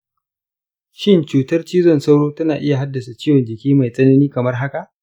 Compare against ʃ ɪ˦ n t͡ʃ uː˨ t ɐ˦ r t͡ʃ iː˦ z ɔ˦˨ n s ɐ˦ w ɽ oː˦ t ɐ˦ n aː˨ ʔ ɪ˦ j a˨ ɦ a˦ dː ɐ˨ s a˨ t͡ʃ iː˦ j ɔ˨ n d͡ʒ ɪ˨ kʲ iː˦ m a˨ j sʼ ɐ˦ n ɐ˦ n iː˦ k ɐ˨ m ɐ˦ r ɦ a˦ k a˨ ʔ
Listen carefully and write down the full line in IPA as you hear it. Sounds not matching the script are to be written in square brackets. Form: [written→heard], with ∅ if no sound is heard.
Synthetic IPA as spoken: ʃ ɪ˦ n t͡ʃ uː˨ t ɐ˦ r t͡ʃ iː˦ z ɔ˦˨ n s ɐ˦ w ɽ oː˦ t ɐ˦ n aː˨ ʔ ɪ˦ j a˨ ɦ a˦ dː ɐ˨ s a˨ t͡ʃ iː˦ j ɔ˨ n d͡ʒ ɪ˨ kʲ iː˦ m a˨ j sʼ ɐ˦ n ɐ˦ n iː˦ k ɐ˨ m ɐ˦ r ɦ a˦ k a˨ ʔ